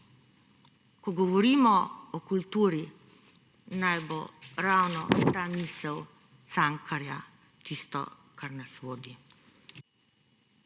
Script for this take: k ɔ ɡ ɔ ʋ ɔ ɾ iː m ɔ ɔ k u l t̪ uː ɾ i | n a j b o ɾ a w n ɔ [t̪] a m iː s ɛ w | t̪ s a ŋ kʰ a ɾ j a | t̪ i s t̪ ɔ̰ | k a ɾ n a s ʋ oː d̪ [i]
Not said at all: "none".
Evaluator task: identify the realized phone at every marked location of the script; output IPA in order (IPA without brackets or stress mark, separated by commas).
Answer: t̪, i